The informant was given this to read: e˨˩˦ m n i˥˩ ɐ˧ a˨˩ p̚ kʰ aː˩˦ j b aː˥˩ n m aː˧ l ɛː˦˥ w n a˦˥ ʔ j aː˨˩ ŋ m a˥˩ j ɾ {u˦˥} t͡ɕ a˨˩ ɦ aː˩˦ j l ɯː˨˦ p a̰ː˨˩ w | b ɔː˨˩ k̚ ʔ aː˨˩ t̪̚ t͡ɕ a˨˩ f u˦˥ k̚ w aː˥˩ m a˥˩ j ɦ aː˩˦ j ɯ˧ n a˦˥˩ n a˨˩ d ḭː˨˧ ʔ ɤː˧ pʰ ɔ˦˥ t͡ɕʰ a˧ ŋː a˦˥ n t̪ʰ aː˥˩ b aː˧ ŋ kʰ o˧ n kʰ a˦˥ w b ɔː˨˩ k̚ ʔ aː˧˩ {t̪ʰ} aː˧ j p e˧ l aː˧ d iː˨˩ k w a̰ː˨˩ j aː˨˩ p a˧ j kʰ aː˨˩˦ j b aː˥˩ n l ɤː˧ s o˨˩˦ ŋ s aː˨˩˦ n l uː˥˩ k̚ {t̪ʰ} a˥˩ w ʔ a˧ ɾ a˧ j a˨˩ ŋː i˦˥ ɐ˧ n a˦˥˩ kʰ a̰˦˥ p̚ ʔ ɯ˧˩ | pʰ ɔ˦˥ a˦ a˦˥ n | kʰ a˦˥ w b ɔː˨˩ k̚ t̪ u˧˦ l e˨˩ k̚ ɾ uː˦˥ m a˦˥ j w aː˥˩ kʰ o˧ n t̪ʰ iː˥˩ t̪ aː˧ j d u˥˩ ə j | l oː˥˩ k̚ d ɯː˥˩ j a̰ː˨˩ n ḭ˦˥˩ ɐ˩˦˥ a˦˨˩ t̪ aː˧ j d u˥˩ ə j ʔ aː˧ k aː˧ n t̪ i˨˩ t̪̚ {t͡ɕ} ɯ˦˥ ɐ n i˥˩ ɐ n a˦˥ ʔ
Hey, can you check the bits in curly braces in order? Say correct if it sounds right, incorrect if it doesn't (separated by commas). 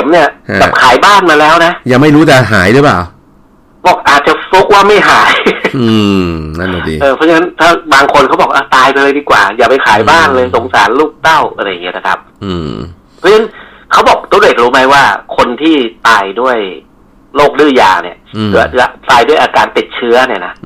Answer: incorrect, incorrect, incorrect, incorrect